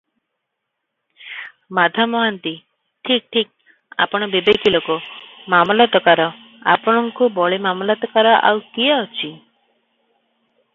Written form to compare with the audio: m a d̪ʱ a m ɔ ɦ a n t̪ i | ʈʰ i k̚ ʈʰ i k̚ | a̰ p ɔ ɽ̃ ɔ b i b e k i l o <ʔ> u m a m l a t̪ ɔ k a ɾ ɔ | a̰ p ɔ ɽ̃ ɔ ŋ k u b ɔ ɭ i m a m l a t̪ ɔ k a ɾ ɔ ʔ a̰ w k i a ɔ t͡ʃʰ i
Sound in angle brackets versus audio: incorrect: k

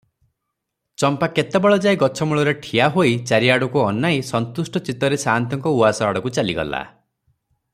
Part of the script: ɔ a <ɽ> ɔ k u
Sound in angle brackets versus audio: correct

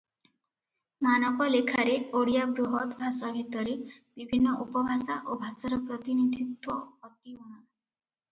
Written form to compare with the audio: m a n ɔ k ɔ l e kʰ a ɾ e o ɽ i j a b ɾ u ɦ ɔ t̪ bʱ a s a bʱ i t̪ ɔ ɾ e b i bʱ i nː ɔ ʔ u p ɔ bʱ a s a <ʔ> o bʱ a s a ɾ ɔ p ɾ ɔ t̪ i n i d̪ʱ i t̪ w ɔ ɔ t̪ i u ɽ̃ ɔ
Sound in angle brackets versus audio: correct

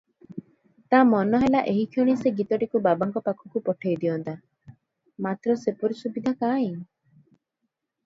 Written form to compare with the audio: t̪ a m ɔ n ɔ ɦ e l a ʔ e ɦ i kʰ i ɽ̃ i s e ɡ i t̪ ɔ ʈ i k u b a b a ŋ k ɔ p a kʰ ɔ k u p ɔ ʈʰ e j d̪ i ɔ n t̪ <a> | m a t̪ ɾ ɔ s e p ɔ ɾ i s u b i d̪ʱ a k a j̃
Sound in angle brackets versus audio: correct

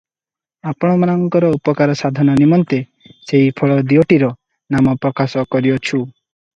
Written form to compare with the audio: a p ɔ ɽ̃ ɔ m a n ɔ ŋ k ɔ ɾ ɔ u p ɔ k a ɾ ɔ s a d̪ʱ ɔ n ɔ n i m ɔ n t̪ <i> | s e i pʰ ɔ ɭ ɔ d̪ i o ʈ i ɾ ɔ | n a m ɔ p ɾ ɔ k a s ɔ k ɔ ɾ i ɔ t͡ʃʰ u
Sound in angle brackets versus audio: incorrect: e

